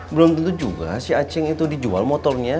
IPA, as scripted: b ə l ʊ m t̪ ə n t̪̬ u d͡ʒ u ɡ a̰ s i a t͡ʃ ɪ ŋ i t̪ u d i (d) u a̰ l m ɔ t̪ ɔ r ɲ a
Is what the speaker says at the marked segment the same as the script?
no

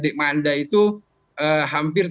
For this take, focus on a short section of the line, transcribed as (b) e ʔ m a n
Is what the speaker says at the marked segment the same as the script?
no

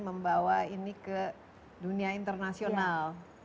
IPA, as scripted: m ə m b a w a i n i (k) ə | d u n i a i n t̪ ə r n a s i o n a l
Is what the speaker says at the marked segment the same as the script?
yes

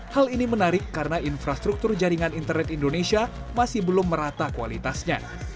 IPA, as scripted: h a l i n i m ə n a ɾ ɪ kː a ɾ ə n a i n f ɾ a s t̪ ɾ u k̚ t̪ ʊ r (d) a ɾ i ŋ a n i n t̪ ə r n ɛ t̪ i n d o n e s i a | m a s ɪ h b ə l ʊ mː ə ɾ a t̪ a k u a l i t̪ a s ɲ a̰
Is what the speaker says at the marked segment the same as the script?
no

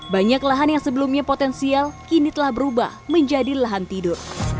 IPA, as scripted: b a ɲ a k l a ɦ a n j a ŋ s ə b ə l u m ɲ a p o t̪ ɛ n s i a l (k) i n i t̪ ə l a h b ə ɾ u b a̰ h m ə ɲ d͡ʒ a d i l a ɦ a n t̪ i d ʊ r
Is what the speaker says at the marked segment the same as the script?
yes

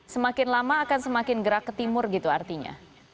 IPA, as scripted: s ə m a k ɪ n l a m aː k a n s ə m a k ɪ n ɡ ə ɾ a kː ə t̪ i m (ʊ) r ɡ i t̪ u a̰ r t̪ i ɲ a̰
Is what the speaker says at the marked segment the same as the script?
yes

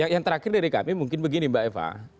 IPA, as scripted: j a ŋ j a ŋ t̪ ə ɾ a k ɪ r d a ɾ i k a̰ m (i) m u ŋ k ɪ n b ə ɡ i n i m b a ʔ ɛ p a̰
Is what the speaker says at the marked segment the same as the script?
yes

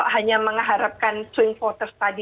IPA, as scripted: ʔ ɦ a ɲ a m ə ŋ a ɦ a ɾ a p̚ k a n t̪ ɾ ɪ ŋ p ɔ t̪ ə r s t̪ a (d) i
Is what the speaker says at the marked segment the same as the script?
yes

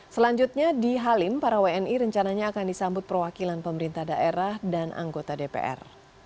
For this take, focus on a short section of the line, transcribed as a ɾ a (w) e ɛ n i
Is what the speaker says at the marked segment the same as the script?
yes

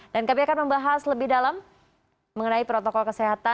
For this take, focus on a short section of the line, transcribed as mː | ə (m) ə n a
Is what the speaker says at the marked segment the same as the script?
no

